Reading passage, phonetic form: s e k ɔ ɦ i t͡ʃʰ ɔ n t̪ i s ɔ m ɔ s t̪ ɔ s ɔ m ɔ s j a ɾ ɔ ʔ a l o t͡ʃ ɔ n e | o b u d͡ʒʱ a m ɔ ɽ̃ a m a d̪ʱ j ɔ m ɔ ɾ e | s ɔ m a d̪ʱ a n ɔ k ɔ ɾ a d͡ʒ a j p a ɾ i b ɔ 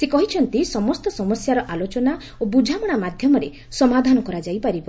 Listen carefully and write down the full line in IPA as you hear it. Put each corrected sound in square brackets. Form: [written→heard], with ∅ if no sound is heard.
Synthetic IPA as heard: s e k ɔ ɦ i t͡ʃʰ ɔ n t̪ i s ɔ m ɔ s t̪ ɔ s ɔ m ɔ s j a ɾ ɔ ʔ a l o t͡ʃ ɔ n [e→a] | o b u d͡ʒʱ a m ɔ ɽ̃ a m a d̪ʱ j ɔ m ɔ ɾ e | s ɔ m a d̪ʱ a n ɔ k ɔ ɾ a d͡ʒ a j p a ɾ i b ɔ

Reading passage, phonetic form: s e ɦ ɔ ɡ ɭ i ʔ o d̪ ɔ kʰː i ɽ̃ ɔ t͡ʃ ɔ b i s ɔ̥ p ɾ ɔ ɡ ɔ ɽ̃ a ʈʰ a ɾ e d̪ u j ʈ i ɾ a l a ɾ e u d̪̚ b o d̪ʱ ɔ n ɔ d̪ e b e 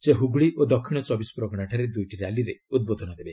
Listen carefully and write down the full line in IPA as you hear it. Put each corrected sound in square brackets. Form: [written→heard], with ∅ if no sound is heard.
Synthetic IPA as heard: s e ɦ [ɔ→u] ɡ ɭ i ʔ o d̪ ɔ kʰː i ɽ̃ ɔ t͡ʃ ɔ b i s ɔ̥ p ɾ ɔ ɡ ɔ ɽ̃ a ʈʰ a ɾ e d̪ u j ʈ i ɾ a l [a→i] ɾ e u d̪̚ b o d̪ʱ ɔ n ɔ d̪ e b e

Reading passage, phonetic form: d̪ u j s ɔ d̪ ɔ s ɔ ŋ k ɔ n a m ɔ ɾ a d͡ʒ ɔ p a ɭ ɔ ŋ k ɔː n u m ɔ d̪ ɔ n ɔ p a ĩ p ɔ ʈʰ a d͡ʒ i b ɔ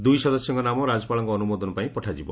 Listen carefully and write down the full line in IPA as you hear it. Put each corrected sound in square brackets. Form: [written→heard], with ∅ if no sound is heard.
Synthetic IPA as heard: d̪ u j s ɔ d̪ ɔ s ɔ ŋ k ɔ n a m ɔ ɾ a d͡ʒ ɔ p a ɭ ɔ ŋ k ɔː n u m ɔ d̪ ɔ n ɔ p a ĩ p ɔ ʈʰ a d͡ʒ i b ɔ

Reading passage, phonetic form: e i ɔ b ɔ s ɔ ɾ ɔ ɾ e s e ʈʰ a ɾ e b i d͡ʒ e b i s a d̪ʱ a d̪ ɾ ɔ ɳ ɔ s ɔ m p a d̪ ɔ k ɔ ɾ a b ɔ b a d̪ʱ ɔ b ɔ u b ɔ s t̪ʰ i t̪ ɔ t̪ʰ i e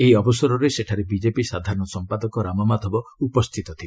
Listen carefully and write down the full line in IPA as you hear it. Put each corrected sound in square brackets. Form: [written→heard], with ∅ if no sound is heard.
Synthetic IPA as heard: e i ɔ b ɔ s ɔ ɾ ɔ ɾ e s e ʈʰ a ɾ e b i d͡ʒ e [b→p] i s a d̪ʱ a [d̪→∅] ɾ ɔ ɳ ɔ s ɔ m p a d̪ ɔ k ɔ ɾ a [b→m] ɔ [b→m] a d̪ʱ ɔ b ɔ u [b→p] ɔ s t̪ʰ i t̪ ɔ t̪ʰ i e

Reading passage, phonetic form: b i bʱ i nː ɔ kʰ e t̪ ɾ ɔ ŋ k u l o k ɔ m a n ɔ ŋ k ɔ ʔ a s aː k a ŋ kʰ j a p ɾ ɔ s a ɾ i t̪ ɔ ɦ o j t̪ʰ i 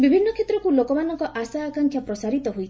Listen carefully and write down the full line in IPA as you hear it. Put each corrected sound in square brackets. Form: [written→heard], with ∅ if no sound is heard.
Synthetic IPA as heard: b i bʱ i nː ɔ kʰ e t̪ ɾ ɔ [ŋ→∅] k u l o k ɔ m a n ɔ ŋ k ɔ ʔ a s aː k a ŋ kʰ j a p ɾ ɔ s a ɾ i t̪ ɔ ɦ o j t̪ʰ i

